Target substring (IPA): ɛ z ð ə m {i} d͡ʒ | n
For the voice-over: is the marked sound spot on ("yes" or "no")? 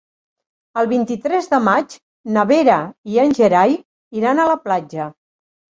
no